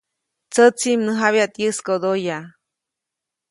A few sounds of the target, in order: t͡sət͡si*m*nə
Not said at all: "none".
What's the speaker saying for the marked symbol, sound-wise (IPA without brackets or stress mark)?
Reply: m